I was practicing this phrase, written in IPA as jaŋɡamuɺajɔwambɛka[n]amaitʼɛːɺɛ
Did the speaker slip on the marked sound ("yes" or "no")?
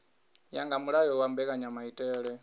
yes